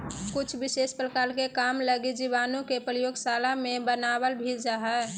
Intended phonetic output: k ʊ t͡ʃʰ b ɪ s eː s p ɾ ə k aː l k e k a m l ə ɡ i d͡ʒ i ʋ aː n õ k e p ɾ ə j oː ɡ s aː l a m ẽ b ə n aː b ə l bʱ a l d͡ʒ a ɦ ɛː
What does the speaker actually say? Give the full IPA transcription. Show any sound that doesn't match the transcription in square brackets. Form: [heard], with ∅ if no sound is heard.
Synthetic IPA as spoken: k ʊ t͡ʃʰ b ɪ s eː s p ɾ ə k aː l k e k a m l ə ɡ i d͡ʒ i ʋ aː n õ k e p ɾ ə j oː ɡ s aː l a m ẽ b ə n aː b ə l bʱ [i] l d͡ʒ a ɦ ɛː